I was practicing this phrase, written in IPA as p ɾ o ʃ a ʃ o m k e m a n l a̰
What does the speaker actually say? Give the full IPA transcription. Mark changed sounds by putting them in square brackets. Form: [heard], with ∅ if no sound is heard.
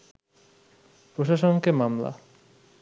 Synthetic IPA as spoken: p ɾ o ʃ a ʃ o [n] k e m a [m] l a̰

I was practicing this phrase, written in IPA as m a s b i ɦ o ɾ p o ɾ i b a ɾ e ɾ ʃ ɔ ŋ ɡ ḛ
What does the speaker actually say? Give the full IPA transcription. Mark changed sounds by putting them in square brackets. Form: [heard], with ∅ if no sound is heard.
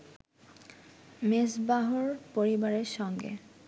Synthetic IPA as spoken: m [e] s b [a] ɦ o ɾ p o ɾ i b a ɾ e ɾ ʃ ɔ ŋ ɡ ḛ

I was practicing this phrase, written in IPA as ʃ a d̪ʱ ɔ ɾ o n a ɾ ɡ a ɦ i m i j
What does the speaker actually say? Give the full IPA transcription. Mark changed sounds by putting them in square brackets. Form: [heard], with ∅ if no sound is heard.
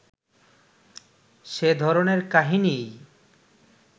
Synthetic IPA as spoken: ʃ [e] d̪ʱ ɔ ɾ o n [e] ɾ [k] a ɦ i [n] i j

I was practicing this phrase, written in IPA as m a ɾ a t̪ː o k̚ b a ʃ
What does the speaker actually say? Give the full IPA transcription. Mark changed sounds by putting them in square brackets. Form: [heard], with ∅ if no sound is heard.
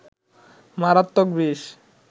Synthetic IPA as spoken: m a ɾ a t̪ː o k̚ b [i] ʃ

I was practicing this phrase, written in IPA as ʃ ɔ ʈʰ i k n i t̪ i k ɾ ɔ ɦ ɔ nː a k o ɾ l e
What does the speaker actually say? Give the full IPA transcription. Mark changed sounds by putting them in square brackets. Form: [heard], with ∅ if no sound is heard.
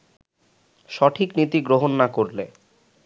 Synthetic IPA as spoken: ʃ ɔ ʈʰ i k n i t̪ i [ɡ] ɾ [o] ɦ [o] nː a k o ɾ l e

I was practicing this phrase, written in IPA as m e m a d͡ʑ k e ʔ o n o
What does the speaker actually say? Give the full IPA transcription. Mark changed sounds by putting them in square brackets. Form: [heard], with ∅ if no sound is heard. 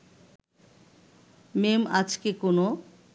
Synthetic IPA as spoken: m e m a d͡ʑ k e [k] o n o

